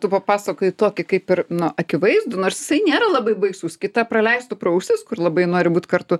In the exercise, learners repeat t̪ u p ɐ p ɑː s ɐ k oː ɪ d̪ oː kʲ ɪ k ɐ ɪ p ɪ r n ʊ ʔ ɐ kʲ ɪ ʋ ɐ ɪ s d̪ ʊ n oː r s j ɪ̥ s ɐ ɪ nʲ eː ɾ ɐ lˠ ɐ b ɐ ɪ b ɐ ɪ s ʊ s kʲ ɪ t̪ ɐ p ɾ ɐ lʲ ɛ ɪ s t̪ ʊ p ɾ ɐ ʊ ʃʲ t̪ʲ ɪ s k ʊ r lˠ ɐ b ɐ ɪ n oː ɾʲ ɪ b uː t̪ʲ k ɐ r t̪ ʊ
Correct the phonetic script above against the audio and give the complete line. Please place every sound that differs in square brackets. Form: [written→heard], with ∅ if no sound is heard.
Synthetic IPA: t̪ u p ɐ p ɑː s ɐ k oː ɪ [d̪→t̪] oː kʲ ɪ k ɐ ɪ p ɪ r n ʊ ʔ ɐ kʲ ɪ ʋ ɐ ɪ [s→z] d̪ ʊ n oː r s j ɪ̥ s ɐ ɪ nʲ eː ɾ ɐ lˠ ɐ b ɐ ɪ b ɐ ɪ s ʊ s kʲ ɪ t̪ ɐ p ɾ ɐ lʲ ɛ ɪ s t̪ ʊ p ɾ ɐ ʊ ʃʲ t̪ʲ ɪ s k ʊ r lˠ ɐ b ɐ ɪ n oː ɾʲ ɪ b uː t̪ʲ k ɐ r t̪ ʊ